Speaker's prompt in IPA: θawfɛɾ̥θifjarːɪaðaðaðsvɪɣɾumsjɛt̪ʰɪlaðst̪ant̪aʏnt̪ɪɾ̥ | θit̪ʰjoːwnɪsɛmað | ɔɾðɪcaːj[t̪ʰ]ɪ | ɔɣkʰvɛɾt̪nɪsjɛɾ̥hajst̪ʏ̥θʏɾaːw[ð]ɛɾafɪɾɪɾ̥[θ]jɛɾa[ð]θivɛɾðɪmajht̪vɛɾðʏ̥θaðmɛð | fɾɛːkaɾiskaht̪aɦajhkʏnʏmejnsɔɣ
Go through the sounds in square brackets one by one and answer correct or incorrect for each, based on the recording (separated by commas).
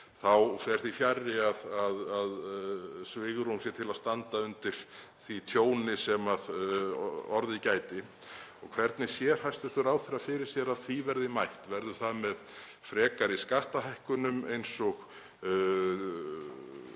incorrect, incorrect, incorrect, correct